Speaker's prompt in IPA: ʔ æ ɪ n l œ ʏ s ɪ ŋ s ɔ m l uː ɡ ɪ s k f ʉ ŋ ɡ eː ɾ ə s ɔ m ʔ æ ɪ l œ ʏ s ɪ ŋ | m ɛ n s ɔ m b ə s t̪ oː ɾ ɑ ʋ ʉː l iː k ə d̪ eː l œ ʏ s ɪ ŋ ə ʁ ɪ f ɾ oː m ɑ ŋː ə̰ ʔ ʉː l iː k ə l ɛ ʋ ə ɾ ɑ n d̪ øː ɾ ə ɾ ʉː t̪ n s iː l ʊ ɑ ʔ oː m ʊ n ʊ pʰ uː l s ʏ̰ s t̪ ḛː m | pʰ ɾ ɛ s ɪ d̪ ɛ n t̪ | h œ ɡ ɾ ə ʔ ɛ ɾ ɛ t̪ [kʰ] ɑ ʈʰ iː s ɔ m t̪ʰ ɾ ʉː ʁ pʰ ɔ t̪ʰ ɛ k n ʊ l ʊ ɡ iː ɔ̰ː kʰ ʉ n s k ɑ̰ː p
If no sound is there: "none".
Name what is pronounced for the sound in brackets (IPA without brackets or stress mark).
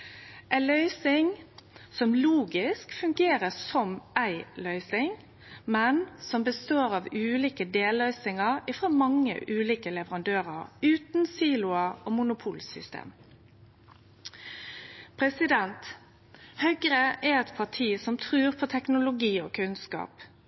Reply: pʰ